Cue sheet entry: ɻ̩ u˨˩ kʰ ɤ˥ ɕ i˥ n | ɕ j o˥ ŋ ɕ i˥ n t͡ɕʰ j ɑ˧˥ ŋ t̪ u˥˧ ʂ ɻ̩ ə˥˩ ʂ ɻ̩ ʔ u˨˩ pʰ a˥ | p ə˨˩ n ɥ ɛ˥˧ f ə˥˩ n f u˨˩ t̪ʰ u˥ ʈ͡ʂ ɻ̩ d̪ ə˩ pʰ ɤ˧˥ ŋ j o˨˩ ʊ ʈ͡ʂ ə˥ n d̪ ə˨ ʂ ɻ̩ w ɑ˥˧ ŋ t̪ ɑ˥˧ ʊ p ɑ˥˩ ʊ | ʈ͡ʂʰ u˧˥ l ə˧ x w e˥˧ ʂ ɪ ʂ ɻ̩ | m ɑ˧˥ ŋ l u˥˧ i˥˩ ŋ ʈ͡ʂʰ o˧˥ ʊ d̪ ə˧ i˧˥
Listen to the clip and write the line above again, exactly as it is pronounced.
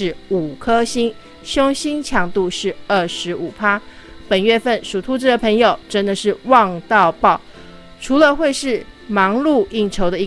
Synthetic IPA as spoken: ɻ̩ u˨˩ kʰ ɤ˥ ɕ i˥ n | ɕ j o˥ ŋ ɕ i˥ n t͡ɕʰ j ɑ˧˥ ŋ t̪ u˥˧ ʂ ɻ̩ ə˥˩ ʂ ɻ̩ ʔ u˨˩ pʰ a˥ | p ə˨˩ n ɥ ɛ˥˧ f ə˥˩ n ʂ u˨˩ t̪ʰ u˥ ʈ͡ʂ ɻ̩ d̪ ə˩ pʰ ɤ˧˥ ŋ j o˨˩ ʊ ʈ͡ʂ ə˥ n d̪ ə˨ ʂ ɻ̩ w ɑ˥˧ ŋ t̪ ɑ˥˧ ʊ p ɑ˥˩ ʊ | ʈ͡ʂʰ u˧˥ l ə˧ x w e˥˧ ɪ ʂ ɻ̩ | m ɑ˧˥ ŋ l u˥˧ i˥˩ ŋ ʈ͡ʂʰ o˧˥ ʊ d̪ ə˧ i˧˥